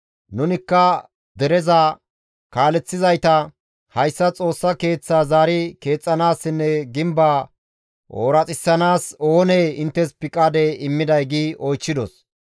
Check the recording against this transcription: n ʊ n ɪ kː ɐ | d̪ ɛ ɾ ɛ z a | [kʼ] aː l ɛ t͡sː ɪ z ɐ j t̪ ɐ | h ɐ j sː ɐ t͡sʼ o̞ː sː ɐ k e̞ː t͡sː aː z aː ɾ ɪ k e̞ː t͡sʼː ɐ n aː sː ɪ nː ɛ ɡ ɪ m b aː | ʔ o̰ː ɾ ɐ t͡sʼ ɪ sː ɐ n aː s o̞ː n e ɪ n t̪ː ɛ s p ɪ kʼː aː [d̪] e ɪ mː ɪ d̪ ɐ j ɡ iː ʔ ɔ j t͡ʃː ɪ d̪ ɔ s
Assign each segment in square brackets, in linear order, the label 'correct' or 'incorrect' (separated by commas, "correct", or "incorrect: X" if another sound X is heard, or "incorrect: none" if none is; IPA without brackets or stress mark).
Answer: incorrect: k, correct